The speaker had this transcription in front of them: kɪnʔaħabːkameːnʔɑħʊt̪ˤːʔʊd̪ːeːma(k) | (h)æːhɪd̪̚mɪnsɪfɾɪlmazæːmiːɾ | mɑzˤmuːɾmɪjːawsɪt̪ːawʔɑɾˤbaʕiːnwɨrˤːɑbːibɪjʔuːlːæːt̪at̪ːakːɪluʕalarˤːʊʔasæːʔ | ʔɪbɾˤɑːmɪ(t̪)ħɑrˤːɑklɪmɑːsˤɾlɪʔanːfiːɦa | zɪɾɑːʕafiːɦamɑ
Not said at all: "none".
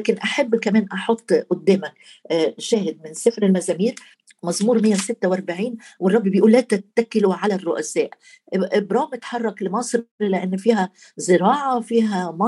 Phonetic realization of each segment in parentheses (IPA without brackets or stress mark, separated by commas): k, ʃ, t̪